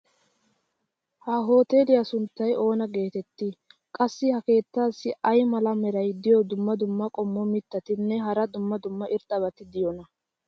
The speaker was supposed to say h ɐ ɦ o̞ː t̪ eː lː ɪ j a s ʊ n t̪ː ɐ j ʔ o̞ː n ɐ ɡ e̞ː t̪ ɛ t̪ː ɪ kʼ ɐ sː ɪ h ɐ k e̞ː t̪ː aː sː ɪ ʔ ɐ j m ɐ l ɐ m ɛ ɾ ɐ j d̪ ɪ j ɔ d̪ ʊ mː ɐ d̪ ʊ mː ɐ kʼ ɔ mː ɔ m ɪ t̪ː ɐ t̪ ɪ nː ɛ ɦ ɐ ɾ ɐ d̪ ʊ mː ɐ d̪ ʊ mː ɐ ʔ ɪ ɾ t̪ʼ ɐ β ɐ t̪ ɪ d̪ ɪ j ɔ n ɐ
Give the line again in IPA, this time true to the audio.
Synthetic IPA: h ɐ ɦ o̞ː t̪ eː l ɪ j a s ʊ n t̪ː ɐ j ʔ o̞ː n ɐ ɡ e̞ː t̪ ɛ t̪ː ɪ kʼ ɐ sː ɪ h ɐ k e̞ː t̪ː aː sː ɪ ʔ ɐ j m ɐ l ɐ m ɛ ɾ ɐ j d̪ ɪ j ɔ d̪ ʊ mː ɐ d̪ ʊ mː ɐ kʼ ɔ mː ɔ m ɪ t̪ː ɐ t̪ ɪ nː ɛ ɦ ɐ ɾ ɐ d̪ ʊ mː ɐ d̪ ʊ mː ɐ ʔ ɪ ɾ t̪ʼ ɐ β ɐ t̪ ɪ d̪ ɪ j ɔ n ɐ